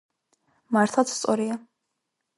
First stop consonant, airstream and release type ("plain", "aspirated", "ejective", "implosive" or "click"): aspirated